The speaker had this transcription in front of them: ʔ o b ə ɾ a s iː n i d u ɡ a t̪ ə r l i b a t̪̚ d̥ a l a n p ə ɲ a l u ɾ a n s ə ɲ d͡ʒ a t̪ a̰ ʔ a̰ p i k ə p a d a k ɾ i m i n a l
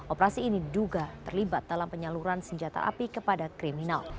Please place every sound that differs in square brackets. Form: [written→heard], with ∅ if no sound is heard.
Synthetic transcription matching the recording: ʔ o [b→p] ə ɾ a s iː n i d u ɡ a t̪ ə r l i b a t̪̚ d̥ a l a [n→m] p ə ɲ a l u ɾ a n s ə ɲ d͡ʒ a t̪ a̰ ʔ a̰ p i k ə p a d a k ɾ i m i n a l